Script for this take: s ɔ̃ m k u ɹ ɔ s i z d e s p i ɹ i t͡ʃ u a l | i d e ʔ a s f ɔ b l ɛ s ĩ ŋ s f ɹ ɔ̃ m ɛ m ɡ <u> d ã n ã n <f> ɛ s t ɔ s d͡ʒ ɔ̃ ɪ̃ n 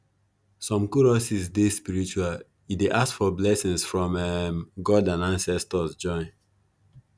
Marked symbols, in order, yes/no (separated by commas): no, no